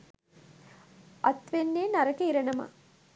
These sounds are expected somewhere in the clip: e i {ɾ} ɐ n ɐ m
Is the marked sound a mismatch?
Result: no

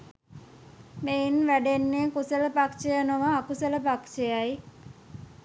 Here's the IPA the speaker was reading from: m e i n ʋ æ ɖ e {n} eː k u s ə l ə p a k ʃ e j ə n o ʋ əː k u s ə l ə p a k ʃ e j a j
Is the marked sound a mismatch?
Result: yes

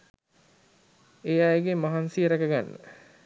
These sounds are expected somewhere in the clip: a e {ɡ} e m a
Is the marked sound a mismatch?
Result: no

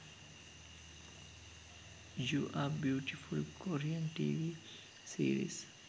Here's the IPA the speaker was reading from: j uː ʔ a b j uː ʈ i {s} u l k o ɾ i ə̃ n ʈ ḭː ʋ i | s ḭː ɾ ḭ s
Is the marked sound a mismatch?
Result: yes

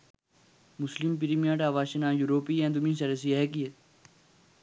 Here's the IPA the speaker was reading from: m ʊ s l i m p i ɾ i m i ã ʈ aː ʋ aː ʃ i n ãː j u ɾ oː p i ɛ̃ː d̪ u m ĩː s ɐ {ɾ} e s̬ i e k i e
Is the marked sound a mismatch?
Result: no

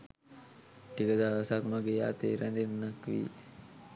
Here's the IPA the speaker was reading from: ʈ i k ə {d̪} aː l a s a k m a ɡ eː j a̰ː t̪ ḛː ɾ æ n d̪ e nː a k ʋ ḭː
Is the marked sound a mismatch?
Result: no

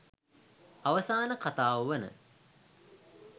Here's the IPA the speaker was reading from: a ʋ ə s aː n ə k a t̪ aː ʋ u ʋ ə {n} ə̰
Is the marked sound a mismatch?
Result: no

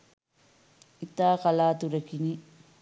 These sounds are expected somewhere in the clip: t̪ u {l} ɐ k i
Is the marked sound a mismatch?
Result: yes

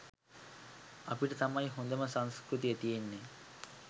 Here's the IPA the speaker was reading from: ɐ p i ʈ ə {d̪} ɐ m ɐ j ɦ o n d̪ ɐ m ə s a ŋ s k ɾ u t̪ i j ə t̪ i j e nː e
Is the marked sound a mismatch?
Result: yes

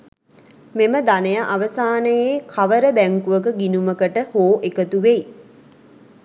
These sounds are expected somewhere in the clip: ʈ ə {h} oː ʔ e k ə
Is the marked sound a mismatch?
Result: no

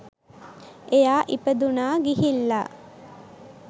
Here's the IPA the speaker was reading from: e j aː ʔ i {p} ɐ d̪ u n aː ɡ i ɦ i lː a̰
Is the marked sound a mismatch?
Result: no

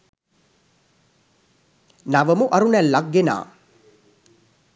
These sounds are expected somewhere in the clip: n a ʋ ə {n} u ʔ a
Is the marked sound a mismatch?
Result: yes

